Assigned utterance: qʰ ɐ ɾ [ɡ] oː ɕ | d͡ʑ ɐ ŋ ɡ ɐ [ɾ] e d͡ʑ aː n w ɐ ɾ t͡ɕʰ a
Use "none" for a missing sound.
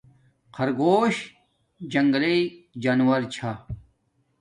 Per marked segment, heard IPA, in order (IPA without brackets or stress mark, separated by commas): ɡ, l